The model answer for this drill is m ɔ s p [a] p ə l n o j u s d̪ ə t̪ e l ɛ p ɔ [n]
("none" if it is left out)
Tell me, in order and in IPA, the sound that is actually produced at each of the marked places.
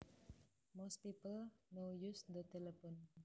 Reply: i, n

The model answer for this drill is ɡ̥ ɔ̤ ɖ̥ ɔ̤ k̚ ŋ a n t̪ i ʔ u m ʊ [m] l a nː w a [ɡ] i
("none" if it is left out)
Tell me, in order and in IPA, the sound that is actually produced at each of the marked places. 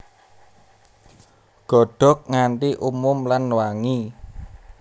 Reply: m, ŋ

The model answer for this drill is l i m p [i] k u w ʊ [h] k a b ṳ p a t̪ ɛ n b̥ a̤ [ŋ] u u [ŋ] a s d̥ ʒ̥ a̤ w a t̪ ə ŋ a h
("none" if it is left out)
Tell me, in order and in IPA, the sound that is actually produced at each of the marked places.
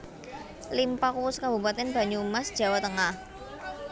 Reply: a, s, ɲ, m

